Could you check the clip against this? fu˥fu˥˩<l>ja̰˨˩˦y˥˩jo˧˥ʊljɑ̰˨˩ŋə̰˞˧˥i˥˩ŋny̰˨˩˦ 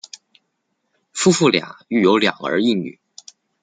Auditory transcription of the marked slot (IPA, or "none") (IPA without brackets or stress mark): l